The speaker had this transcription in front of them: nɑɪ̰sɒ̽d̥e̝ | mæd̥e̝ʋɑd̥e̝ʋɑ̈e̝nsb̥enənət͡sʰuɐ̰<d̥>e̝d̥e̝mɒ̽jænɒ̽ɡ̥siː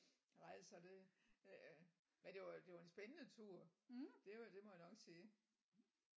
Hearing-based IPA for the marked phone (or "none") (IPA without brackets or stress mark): d̥